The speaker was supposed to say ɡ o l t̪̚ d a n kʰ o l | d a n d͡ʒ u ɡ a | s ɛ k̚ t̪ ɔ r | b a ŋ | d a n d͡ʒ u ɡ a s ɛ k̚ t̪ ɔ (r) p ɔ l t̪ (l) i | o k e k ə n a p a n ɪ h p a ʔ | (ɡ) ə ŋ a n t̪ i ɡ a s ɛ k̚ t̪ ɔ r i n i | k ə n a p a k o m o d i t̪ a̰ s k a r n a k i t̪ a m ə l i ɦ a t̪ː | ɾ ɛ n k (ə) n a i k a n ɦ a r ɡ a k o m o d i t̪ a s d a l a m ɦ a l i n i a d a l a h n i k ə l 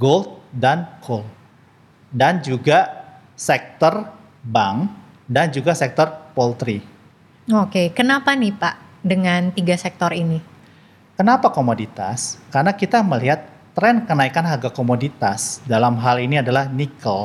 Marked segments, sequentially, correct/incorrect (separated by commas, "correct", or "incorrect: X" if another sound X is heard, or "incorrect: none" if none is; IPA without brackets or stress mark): correct, incorrect: ɾ, incorrect: d, correct